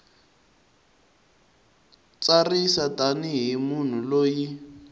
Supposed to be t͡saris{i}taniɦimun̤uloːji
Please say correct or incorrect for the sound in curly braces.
incorrect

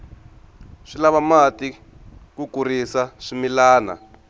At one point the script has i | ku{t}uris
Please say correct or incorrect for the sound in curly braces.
incorrect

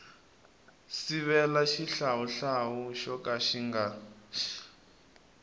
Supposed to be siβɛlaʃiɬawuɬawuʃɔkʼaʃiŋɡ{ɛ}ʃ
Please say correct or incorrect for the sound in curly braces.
incorrect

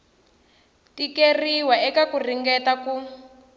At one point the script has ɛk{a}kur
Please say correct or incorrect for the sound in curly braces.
correct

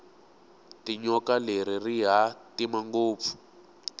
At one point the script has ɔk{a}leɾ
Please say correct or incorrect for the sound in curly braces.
correct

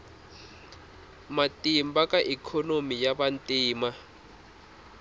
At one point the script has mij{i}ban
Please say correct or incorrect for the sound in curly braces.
incorrect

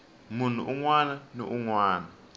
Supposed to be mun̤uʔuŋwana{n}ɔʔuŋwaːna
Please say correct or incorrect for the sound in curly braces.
correct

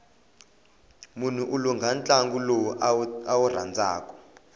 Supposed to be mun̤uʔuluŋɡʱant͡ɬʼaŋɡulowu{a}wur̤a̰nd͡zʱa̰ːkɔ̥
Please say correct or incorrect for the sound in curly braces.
correct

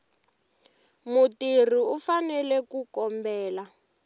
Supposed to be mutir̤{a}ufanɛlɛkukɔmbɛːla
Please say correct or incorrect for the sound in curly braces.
incorrect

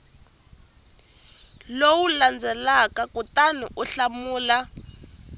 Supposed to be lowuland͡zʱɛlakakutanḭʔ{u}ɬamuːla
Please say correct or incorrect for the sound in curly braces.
correct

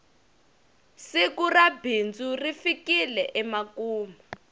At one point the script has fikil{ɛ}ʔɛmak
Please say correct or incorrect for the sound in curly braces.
correct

